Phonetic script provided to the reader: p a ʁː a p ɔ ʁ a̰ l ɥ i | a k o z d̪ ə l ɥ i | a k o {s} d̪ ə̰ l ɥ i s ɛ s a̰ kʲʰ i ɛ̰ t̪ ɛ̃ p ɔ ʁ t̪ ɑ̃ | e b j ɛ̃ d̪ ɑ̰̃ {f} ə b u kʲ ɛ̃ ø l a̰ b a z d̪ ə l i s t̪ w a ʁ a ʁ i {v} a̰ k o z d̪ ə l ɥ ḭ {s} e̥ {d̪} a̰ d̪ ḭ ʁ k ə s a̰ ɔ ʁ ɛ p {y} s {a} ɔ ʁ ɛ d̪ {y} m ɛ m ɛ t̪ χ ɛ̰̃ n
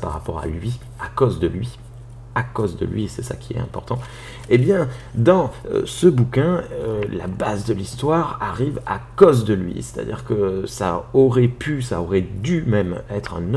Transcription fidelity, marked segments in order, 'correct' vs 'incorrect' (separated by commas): incorrect, incorrect, correct, correct, incorrect, correct, correct, correct